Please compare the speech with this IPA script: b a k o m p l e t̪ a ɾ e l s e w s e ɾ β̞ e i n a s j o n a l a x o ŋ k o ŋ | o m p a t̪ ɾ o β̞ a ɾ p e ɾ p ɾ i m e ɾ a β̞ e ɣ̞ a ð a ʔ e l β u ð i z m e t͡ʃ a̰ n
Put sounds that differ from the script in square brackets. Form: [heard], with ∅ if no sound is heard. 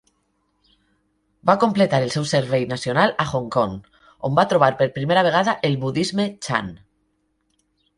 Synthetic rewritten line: b a k o m p l e t̪ a ɾ e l s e w s e ɾ β̞ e [j] n a s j o n a l a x o ŋ k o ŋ | o m [b] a t̪ ɾ o β̞ a ɾ p e ɾ p ɾ i m e ɾ a β̞ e ɣ̞ a ð a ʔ e l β u ð i z m e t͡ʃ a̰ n